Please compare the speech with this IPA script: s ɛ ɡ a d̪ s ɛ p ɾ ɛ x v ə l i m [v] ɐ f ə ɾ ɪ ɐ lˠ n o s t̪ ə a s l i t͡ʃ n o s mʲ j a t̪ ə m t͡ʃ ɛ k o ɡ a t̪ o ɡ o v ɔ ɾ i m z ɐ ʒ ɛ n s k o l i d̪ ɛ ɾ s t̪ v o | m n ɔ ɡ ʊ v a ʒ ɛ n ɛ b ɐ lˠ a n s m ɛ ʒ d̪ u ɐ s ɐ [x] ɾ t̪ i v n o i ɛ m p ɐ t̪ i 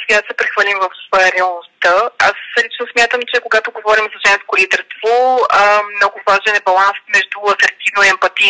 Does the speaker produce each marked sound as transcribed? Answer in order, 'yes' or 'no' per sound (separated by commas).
yes, no